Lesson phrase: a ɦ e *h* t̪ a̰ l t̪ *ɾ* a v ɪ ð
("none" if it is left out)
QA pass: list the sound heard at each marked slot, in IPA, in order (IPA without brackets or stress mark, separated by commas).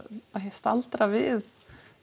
s, ɾ